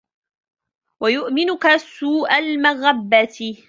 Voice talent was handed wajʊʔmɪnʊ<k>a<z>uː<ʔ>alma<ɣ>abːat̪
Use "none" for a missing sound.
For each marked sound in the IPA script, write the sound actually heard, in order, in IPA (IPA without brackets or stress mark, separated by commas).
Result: k, s, ʔ, ɣ